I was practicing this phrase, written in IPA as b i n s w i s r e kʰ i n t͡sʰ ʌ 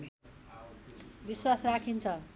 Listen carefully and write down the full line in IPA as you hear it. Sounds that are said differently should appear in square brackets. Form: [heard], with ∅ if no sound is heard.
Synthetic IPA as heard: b i [∅] s w [a] s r [a] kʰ i n t͡sʰ ʌ

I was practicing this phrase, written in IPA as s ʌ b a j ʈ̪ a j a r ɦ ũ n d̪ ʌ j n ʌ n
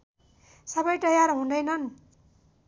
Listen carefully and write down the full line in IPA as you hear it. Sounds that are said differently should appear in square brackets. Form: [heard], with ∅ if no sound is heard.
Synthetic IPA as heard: s ʌ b [ʌ] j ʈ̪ [ʌ] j a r ɦ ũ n d̪ ʌ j n ʌ n

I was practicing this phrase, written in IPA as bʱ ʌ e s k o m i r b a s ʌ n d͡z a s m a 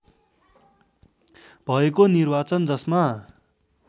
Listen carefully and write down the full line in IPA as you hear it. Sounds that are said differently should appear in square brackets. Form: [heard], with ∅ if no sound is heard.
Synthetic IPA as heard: bʱ ʌ e [∅] k o [n] i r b a [t͡s] ʌ n d͡z [ʌ] s m a

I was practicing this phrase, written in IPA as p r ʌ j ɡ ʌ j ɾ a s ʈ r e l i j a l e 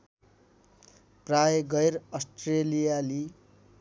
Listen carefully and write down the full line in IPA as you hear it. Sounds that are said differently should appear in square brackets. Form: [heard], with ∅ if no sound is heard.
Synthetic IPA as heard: p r [a] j ɡ ʌ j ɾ [ʌ] s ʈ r e l i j a l [i]

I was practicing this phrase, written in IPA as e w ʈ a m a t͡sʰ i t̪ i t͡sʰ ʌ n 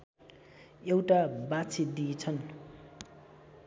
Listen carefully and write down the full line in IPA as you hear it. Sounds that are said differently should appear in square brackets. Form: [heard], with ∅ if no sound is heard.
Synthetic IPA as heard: e w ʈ a [b] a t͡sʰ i [d̪] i t͡sʰ ʌ n

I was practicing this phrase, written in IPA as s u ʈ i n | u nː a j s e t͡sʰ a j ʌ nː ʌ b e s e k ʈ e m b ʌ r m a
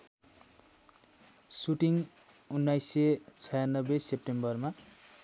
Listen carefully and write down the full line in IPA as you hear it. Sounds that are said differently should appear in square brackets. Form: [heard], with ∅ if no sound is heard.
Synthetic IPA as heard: s u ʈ i [ŋ] | u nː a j s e t͡sʰ [ʌ] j [a] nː ʌ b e s e [p] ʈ e m b ʌ r m a

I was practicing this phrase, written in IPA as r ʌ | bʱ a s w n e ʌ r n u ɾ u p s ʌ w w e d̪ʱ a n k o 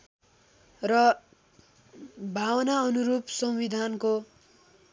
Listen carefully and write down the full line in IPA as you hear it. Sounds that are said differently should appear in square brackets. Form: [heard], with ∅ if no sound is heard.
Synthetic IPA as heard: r ʌ | bʱ a [∅] w n [a] ʌ [∅] n u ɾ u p s ʌ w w [i] d̪ʱ a n k o

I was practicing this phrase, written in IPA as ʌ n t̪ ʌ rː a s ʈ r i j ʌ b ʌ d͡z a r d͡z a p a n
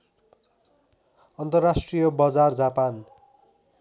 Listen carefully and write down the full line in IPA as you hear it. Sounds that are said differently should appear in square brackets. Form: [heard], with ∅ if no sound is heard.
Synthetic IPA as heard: ʌ n t̪ ʌ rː a s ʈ r i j ʌ b ʌ d͡z a r d͡z a p a n

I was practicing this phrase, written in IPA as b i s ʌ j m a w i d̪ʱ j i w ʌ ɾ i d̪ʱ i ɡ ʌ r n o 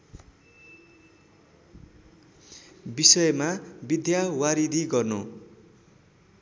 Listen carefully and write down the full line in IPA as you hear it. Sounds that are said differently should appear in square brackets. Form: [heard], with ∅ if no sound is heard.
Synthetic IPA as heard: b i s ʌ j m a [b] i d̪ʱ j [a] w [a] ɾ i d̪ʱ i ɡ ʌ r n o

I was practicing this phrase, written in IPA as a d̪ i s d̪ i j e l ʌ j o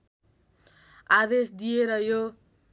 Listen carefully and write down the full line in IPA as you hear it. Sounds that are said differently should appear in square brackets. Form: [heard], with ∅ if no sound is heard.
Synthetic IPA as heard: a d̪ [e] s d̪ i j e [ɾ] ʌ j o

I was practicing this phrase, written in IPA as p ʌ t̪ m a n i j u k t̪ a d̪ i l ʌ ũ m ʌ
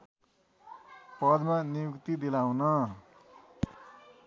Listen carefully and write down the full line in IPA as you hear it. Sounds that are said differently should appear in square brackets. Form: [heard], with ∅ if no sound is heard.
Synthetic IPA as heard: p ʌ [d̪] m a n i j u k t̪ [i] d̪ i l [a] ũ [n] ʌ

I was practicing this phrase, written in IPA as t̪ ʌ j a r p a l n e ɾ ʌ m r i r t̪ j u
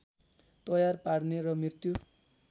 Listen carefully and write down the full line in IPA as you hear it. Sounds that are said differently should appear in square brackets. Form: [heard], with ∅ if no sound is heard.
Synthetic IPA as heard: t̪ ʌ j a r p a [ɽ] n e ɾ ʌ m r i r t̪ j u

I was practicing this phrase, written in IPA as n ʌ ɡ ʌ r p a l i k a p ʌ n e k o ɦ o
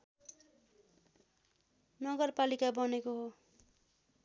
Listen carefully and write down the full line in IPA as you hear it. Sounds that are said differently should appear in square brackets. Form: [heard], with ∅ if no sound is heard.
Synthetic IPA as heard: n ʌ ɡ ʌ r p a l i k a [b] ʌ n e k o ɦ o

